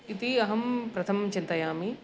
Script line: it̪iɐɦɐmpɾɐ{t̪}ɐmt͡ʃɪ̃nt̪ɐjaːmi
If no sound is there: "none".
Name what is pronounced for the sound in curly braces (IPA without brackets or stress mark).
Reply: t̪ʰ